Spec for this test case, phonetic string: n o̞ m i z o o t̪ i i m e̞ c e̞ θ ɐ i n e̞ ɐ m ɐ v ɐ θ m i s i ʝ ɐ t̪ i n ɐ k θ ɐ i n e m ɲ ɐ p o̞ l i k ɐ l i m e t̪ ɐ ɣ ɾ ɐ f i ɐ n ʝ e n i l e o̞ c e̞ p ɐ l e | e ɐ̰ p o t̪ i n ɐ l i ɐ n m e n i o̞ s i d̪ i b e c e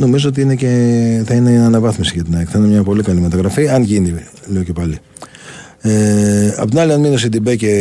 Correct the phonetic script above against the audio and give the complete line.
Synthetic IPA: n o̞ m i z o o t̪ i i n e̞ c e̞ θ ɐ i n e̞ ɐ n ɐ v ɐ θ m i s i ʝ ɐ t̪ i n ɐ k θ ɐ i n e m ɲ ɐ p o̞ l i k ɐ l i m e t̪ ɐ ɣ ɾ ɐ f i ɐ n ʝ i n i l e o̞ c e̞ p ɐ l i | e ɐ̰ p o t̪ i n ɐ l i ɐ n m i n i o̞ s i d̪ i b e c e